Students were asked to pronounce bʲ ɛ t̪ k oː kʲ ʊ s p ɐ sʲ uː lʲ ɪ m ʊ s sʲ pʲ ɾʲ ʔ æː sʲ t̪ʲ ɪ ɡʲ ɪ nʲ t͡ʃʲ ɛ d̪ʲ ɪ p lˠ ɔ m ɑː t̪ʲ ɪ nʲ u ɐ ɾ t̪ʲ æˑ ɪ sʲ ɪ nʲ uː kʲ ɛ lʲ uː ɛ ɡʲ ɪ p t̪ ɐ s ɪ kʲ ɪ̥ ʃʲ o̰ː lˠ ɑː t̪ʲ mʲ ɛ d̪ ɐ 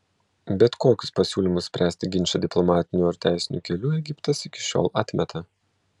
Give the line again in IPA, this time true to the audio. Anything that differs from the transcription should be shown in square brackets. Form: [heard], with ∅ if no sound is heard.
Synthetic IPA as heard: bʲ ɛ t̪ k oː kʲ ʊ s p ɐ sʲ uː lʲ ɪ m ʊ s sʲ pʲ ɾʲ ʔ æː sʲ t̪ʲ ɪ ɡʲ ɪ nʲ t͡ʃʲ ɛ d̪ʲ ɪ p lˠ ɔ m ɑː t̪ʲ ɪ nʲ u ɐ ɾ t̪ʲ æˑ ɪ sʲ ɪ nʲ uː kʲ ɛ lʲ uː ɛ ɡʲ ɪ p t̪ ɐ s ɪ kʲ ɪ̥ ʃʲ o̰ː lˠ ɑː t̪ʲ mʲ ɛ [t̪] ɐ